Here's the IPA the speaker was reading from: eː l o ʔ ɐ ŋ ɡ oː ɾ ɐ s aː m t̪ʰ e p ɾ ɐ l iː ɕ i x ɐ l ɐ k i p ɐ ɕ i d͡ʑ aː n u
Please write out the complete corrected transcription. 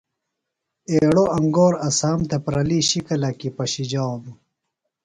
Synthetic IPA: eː ɽ o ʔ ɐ ŋ ɡ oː ɾ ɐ s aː m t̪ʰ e p ɾ ɐ l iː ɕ i k ɐ l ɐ k i p ɐ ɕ i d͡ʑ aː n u